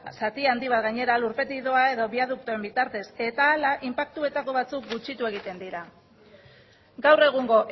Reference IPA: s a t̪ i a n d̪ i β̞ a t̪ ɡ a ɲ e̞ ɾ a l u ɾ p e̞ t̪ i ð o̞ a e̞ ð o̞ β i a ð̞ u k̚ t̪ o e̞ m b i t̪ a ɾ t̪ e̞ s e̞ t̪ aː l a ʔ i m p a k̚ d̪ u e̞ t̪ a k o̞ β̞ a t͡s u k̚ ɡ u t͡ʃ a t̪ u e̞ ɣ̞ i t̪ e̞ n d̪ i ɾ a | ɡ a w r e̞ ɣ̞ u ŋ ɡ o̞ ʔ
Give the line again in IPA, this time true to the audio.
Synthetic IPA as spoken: s a t̪ i a n d̪ i β̞ a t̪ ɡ a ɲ e̞ ɾ a l u ɾ p e̞ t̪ i ð o̞ a e̞ ð o̞ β i a ð̞ u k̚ t̪ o e̞ m b i t̪ a ɾ t̪ e̞ s e̞ t̪ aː l a ʔ i m p a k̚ t̪ u e̞ t̪ a k o̞ β̞ a t͡s u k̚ ɡ u t͡ʃ i t̪ u e̞ ɣ̞ i t̪ e̞ n d̪ i ɾ a | ɡ a w r e̞ ɣ̞ u ŋ ɡ o̞ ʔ